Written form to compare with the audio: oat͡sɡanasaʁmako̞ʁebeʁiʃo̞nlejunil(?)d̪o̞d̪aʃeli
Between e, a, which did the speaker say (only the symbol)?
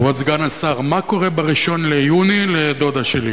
e